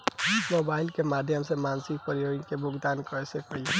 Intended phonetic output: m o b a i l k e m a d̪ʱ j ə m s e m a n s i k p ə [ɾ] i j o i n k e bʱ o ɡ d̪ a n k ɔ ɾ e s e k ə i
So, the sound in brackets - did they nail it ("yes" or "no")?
yes